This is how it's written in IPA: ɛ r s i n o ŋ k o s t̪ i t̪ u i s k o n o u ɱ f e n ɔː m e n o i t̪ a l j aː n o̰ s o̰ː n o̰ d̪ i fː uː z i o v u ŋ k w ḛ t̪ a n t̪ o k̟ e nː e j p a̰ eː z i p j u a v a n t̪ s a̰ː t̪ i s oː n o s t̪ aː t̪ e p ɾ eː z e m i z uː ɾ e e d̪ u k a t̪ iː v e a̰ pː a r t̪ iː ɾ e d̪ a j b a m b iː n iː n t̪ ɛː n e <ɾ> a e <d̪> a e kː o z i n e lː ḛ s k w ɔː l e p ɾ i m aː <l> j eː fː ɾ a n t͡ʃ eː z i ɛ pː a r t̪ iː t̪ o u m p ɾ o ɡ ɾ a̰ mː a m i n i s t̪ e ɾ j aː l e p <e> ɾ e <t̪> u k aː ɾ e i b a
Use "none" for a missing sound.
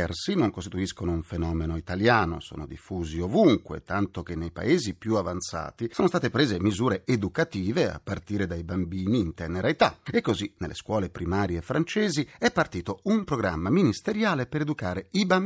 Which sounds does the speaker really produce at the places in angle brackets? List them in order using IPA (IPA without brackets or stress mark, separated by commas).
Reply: ɾ, t̪, ɾ, e, d̪